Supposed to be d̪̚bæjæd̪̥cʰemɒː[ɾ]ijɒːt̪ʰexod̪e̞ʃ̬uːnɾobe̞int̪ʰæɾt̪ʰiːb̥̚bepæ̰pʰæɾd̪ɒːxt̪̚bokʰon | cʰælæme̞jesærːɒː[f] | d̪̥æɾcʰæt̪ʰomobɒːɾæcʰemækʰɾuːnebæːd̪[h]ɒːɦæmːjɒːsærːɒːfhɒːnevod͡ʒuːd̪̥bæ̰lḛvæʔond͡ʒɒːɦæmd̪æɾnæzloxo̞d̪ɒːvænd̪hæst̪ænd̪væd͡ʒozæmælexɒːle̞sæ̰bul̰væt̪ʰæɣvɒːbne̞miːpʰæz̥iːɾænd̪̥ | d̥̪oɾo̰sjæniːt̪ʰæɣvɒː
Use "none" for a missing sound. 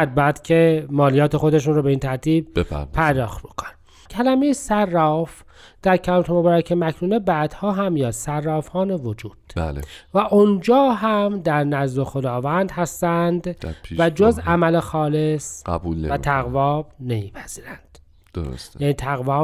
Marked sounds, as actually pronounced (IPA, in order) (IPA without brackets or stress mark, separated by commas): l, f, h